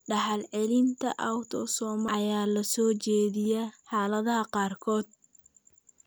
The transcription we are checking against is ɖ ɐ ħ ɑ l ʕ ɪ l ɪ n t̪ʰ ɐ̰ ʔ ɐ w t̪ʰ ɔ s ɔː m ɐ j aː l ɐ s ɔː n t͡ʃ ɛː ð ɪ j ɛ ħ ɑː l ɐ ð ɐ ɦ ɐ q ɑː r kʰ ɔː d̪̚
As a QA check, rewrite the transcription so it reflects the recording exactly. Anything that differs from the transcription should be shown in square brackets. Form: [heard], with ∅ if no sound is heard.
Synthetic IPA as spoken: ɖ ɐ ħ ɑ l ʕ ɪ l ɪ n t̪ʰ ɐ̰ ʔ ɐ w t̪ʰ ɔ s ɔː m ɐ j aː l ɐ s ɔː [∅] t͡ʃ ɛː ð ɪ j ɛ ħ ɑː l ɐ ð ɐ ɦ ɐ q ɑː r kʰ ɔː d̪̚